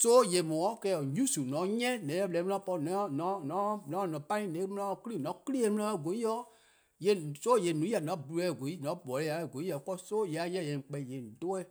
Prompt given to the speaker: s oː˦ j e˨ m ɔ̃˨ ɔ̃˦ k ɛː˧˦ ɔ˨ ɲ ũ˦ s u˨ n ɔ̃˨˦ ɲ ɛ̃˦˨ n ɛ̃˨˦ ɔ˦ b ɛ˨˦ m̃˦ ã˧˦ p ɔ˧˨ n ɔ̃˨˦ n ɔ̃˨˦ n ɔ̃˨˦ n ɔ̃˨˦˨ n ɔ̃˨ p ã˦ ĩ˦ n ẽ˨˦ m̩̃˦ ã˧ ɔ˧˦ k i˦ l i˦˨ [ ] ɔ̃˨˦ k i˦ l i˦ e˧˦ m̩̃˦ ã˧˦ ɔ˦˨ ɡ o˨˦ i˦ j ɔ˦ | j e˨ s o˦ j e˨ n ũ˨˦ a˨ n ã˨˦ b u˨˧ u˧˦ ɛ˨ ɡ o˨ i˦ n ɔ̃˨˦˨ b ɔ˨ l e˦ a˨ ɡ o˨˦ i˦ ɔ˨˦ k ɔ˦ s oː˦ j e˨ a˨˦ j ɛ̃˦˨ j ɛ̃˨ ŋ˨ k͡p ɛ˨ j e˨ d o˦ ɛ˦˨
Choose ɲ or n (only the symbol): n